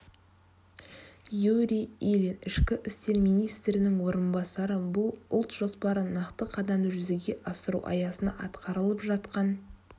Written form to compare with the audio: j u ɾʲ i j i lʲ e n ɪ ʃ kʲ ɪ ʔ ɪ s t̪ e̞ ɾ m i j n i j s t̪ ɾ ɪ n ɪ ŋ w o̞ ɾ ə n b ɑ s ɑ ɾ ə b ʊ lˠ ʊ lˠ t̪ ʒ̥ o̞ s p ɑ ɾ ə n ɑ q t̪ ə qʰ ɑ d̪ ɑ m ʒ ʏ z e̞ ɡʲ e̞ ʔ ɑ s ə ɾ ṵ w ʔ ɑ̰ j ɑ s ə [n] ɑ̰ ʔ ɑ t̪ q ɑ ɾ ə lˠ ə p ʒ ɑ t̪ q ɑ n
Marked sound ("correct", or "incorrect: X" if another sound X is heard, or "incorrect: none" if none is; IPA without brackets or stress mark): correct